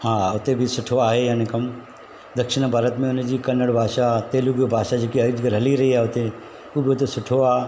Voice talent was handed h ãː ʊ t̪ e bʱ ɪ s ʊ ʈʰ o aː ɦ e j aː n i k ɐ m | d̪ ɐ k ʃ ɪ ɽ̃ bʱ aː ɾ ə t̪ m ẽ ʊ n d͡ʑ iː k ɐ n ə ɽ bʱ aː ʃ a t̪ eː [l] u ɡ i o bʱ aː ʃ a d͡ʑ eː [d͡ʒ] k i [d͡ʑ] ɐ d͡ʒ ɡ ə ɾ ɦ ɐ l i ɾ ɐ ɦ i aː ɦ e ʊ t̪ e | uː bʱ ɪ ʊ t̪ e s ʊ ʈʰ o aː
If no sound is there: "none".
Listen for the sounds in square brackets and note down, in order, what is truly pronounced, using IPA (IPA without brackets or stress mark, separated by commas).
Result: l, none, none